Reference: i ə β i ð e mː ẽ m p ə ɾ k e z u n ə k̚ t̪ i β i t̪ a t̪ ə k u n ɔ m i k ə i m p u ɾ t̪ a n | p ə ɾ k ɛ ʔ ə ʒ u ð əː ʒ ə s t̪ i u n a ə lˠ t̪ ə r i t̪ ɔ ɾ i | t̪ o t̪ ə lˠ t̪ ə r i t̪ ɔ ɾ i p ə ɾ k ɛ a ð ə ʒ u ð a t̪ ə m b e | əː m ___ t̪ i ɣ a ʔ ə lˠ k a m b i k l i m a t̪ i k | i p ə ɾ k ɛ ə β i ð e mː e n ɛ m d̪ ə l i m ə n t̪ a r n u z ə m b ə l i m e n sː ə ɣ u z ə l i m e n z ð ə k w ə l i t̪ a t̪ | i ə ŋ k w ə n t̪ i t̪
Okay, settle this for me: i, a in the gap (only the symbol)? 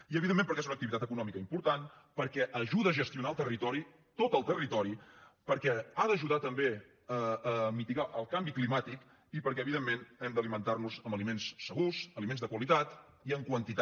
i